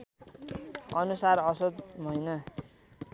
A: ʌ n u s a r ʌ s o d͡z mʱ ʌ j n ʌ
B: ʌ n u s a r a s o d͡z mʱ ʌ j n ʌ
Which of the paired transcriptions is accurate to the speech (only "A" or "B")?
A